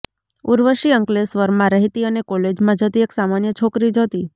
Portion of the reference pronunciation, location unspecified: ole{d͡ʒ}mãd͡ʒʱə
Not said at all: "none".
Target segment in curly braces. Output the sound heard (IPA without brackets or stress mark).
d͡ʒ